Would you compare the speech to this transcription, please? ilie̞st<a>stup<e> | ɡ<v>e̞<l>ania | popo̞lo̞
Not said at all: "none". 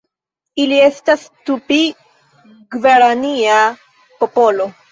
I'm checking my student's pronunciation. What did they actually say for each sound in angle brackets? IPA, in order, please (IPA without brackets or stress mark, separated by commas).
a, i, v, ɾ